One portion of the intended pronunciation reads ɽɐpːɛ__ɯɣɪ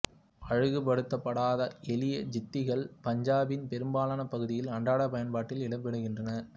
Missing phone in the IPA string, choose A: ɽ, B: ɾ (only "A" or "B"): A